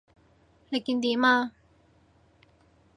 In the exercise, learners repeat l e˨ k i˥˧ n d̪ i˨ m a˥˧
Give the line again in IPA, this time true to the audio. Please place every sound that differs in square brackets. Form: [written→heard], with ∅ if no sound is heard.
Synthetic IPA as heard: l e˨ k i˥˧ n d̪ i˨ m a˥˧